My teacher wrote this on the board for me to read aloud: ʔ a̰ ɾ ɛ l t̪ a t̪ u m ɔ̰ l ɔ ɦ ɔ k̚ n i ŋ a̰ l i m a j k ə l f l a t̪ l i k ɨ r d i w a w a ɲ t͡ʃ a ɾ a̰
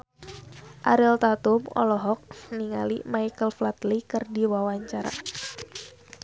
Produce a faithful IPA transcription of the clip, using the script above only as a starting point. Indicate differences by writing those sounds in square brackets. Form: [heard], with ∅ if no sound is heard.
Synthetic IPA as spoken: ʔ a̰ ɾ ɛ l t̪ a t̪ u m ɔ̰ l ɔ ɦ ɔ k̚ n i ŋ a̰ l i m a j k ə l f l a t̪ l i k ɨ r d i w a w a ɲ t͡ʃ a ɾ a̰